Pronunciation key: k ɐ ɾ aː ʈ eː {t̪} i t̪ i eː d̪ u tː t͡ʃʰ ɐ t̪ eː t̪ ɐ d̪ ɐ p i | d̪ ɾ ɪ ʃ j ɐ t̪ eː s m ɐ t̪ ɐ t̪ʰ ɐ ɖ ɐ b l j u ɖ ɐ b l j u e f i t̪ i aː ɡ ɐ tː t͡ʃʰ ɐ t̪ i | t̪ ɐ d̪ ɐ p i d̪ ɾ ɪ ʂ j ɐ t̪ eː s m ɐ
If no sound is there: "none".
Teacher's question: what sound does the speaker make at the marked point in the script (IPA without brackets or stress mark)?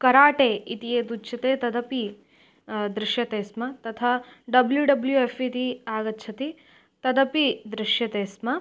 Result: none